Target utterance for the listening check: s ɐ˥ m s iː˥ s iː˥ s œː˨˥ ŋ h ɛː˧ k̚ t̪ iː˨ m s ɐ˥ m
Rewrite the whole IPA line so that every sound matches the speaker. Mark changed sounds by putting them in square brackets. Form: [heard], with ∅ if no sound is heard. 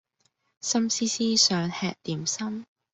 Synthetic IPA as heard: s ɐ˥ m s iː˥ s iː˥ s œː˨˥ ŋ h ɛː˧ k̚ t̪ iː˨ m s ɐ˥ m